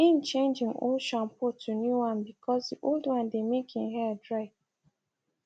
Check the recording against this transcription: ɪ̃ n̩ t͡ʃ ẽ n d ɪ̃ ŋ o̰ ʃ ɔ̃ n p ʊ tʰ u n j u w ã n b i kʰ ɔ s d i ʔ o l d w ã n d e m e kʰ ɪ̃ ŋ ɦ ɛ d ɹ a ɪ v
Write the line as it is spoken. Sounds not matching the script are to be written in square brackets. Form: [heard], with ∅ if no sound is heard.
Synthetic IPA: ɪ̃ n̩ t͡ʃ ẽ n [d͡ʒ] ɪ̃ ŋ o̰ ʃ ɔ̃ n p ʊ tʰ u n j u w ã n b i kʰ ɔ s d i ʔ o l d w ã n d e m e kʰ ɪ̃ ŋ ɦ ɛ d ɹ a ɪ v

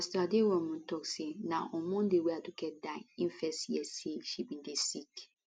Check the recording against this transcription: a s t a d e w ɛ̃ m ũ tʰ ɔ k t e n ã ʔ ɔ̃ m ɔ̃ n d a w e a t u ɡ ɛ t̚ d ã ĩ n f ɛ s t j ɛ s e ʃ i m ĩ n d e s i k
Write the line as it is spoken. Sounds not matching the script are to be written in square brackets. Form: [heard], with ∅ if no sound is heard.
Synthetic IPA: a s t a d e w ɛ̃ m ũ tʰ ɔ k [s] e n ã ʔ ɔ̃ m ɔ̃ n d [e] w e a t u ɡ ɛ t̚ d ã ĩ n f ɛ s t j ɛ s e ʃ i [b] ĩ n d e s i k

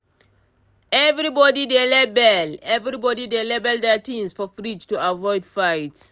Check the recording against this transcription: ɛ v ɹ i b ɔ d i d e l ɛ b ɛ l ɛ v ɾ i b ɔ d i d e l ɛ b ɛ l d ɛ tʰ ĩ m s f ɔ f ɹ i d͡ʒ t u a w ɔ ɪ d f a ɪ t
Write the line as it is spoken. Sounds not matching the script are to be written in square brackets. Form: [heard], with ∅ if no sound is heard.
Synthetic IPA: ɛ v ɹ i b ɔ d i d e l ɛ b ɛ l ɛ v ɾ i b ɔ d i d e l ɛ b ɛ l d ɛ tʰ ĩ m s f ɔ f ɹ i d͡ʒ t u a [v] ɔ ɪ d f a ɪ t

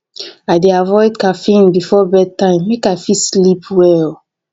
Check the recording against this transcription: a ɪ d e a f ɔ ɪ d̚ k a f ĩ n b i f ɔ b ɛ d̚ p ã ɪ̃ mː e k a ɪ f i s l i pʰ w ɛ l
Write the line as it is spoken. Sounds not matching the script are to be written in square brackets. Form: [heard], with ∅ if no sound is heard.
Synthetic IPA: a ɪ d e a [v] ɔ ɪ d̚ k a f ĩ n b i f ɔ b ɛ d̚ [t] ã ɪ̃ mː e k a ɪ f i s l i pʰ w ɛ l

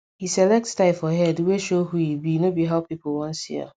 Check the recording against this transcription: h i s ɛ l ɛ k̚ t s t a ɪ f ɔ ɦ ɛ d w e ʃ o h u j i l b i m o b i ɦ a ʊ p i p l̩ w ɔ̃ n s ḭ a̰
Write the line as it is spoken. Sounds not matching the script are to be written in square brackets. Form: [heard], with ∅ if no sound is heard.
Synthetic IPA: h i s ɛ l ɛ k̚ t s t a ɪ f ɔ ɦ ɛ d w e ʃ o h u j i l b i [n] o b i ɦ a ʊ p i p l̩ w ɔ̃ n s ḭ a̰

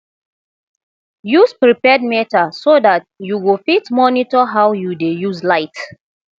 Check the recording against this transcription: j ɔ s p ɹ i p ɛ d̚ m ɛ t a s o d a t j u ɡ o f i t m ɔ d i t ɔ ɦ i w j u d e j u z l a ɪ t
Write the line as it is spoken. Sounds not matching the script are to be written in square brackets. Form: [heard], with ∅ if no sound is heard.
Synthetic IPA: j [u] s p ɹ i p ɛ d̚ m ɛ t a s o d a t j u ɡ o f i t m ɔ [n] i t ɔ ɦ [a] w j u d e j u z l a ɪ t

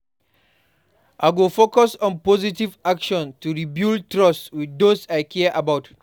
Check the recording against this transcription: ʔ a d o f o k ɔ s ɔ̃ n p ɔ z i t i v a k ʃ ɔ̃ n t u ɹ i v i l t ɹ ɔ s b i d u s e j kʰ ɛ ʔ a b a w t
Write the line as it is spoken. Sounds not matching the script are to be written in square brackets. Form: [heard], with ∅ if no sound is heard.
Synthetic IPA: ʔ a [ɡ] o f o k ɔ s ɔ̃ n p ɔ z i t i v a k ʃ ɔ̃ n t u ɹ i [b] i l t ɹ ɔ s [w] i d [o] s [a] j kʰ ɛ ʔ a b a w t

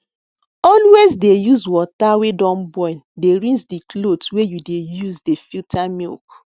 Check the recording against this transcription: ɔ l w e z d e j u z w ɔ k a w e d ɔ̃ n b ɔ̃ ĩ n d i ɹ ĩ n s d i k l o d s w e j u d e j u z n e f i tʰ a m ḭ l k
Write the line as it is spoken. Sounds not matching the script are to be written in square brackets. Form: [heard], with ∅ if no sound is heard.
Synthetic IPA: ɔ l w e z d e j u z w ɔ [t] a w e d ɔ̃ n b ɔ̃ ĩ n d [e] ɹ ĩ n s d i k l o d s w e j u d e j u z [d] e f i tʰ a m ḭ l k

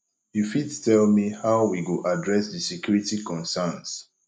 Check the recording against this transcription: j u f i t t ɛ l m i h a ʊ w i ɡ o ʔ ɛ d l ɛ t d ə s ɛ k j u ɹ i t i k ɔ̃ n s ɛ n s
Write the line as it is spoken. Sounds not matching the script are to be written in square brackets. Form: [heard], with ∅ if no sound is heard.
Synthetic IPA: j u f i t t ɛ l m i h a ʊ w i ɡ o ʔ [a] d [ɹ] ɛ [s] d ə s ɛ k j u ɹ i t i k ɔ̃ n s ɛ n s

